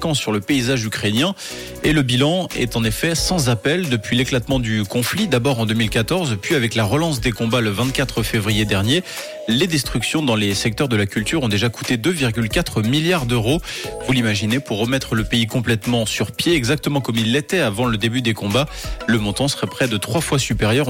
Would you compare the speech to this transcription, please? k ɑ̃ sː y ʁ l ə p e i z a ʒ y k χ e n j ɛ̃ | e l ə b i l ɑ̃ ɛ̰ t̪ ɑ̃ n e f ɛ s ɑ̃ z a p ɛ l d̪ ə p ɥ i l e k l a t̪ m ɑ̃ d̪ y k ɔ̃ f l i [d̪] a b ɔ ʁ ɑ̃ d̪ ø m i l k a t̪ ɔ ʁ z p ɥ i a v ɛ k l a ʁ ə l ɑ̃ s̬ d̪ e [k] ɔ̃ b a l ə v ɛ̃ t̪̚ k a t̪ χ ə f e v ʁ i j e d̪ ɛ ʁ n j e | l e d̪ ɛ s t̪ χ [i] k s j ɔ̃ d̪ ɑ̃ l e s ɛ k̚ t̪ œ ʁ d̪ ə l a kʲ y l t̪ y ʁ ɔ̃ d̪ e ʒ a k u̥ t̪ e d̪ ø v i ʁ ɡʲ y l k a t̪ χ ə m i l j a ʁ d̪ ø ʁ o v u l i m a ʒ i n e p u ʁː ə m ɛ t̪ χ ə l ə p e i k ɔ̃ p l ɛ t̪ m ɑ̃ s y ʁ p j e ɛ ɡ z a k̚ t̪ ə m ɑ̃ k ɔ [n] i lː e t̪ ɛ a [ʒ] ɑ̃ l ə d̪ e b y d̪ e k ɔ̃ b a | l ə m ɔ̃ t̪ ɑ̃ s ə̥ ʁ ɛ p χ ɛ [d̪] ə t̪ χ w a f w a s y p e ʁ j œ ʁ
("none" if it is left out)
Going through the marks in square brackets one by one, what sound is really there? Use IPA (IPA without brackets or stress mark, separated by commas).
d̪, k, y, m, v, d̪